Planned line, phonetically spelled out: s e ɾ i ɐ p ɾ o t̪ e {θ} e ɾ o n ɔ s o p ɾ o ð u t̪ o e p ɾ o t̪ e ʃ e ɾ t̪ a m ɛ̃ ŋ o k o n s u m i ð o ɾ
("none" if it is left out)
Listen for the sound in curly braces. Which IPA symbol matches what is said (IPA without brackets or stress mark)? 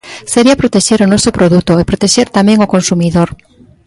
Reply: ʃ